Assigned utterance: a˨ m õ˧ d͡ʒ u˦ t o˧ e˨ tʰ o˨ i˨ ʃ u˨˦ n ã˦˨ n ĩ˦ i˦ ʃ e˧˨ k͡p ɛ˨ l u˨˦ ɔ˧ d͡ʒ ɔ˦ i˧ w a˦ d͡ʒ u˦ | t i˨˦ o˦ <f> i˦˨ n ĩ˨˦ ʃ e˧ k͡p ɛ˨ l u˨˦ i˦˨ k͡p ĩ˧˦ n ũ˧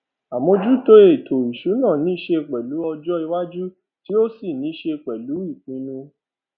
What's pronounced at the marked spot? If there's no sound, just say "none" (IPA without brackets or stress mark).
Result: s